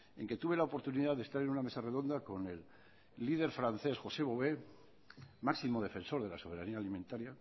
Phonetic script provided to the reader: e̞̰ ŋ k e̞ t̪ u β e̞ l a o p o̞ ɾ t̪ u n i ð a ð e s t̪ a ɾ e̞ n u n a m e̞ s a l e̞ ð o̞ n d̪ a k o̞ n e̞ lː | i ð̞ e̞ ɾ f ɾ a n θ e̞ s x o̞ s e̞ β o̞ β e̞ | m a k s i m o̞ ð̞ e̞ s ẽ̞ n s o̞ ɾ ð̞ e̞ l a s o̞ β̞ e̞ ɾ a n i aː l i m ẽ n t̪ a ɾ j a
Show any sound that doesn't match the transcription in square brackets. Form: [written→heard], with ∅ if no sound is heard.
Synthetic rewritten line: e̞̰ ŋ k e̞ t̪ u β e̞ l a o p o̞ ɾ t̪ u n i ð a ð e s t̪ a ɾ e̞ n u n a m e̞ s a [l→r] e̞ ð o̞ n d̪ a k o̞ n e̞ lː | i ð̞ e̞ ɾ f ɾ a n θ e̞ s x o̞ s e̞ β o̞ β e̞ | m a k s i m o̞ ð̞ e̞ [s→f] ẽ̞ n s o̞ ɾ ð̞ e̞ l a s o̞ β̞ e̞ ɾ a n i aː l i m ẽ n t̪ a ɾ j a